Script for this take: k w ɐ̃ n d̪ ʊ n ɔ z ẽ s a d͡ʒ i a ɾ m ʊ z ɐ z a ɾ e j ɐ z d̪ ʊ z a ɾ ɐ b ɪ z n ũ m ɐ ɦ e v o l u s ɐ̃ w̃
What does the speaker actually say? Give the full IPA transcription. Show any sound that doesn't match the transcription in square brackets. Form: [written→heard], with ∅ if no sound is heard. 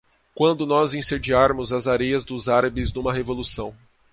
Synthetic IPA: k w ɐ̃ n d̪ ʊ n ɔ z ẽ s [a→e] d͡ʒ i a ɾ m ʊ z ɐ z a ɾ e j ɐ z d̪ ʊ z a ɾ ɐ b ɪ z n ũ m ɐ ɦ e v o l u s ɐ̃ w̃